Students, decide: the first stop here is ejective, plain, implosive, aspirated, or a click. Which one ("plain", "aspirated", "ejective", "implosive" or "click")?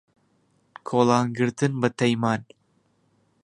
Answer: aspirated